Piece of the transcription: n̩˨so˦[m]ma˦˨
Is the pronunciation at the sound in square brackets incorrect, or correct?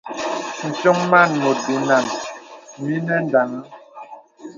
incorrect